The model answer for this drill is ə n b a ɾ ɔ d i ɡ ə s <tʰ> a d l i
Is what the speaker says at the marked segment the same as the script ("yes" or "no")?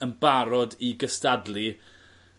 no